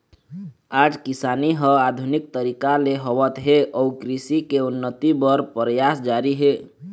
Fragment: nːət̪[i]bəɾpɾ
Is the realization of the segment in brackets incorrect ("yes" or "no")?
no